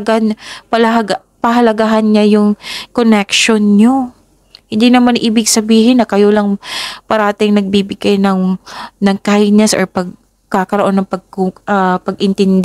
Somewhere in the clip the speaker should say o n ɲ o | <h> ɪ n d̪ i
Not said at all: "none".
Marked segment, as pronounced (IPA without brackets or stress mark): h